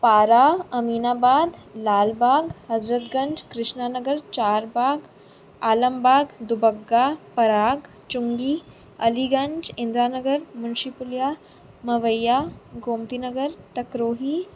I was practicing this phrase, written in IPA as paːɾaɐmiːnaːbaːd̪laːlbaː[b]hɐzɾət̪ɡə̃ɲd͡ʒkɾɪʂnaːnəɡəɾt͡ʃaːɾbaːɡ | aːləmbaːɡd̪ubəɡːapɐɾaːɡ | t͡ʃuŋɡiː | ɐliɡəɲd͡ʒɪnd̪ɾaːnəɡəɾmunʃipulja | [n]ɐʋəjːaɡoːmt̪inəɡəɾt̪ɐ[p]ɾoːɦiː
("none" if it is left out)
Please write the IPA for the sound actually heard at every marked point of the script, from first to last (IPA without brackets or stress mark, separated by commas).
ɡ, m, k